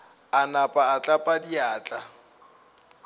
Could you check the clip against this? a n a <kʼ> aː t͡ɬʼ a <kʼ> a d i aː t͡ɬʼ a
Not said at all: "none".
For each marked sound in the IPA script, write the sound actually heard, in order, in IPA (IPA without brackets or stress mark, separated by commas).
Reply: pʼ, pʼ